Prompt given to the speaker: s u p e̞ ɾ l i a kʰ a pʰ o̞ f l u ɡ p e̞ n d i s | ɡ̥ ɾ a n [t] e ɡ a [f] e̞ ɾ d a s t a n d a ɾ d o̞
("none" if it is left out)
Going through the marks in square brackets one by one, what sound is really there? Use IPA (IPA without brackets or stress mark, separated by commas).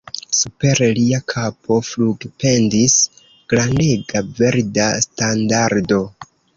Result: d, v